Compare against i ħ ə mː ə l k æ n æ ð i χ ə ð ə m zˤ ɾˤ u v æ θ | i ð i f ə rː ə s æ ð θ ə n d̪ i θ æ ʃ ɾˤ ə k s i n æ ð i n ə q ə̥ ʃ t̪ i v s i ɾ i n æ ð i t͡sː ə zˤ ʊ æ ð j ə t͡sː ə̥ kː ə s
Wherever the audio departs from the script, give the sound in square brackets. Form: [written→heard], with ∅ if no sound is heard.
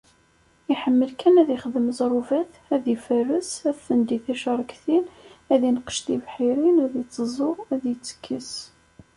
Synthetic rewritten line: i ħ ə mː ə l k æ n æ ð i χ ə ð ə m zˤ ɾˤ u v æ θ | [i→æ] ð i f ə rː ə s æ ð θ ə n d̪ i θ æ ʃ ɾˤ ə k [s→θ] i n æ ð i n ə q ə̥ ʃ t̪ i v [s→ħ] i ɾ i n æ ð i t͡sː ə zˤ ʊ æ ð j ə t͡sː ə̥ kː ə s